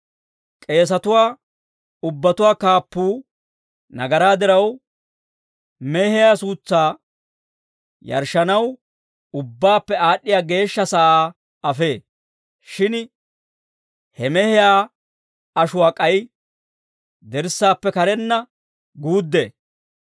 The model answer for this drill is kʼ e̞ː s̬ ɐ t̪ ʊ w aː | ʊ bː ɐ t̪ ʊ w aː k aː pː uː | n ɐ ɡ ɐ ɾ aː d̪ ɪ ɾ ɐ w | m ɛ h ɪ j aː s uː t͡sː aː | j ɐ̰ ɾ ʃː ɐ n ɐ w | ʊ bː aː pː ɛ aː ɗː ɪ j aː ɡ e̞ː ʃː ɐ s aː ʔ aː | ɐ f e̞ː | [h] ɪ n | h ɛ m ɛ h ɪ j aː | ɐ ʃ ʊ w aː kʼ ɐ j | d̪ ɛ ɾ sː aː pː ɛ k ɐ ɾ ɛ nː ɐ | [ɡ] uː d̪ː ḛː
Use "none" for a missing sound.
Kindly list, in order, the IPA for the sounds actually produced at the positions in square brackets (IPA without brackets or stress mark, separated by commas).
ʃ, ɡ